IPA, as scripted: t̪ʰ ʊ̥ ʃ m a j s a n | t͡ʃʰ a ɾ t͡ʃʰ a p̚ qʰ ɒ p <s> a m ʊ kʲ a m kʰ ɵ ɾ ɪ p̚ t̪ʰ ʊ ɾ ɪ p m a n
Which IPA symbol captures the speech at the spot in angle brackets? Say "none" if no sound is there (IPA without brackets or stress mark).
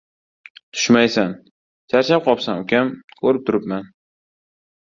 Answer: s